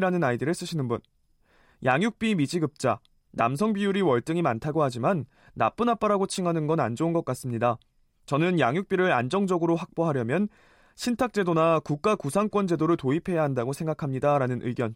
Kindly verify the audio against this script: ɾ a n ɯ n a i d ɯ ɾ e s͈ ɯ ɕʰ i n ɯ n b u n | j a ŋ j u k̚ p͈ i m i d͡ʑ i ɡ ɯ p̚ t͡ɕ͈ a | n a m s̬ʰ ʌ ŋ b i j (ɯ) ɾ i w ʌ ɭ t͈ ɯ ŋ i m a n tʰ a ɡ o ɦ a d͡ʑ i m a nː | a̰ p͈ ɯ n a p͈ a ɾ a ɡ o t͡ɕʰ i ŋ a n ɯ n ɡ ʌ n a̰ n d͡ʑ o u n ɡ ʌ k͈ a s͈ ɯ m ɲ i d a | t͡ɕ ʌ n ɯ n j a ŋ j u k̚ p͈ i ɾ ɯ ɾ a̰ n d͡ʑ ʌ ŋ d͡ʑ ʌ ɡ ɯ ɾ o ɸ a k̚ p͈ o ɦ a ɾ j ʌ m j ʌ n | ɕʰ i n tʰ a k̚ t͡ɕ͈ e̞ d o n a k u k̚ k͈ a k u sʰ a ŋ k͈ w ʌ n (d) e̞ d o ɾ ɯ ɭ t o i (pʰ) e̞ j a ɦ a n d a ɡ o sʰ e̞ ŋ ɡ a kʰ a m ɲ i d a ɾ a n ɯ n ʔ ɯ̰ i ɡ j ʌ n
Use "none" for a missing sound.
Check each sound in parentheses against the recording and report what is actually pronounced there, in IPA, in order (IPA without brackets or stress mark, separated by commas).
u, d͡ʑ, pʰ